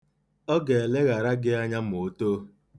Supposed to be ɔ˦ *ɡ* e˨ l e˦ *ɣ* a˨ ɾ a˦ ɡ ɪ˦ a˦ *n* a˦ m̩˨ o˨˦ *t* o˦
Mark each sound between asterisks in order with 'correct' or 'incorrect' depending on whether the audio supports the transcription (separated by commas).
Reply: correct, correct, incorrect, correct